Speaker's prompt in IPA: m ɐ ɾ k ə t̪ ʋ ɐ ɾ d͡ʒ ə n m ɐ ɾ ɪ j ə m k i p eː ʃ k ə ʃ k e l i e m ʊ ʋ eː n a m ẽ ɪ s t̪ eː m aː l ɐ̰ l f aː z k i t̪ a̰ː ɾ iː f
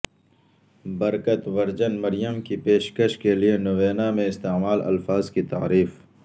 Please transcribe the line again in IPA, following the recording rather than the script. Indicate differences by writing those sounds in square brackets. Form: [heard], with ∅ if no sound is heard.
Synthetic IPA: [b] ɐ ɾ k ə t̪ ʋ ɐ ɾ d͡ʒ ə n m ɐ ɾ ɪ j ə m k i p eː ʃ k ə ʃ k e l i e [n] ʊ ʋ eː n a m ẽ ɪ s t̪ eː m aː l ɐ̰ l f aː z k i t̪ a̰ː ɾ iː f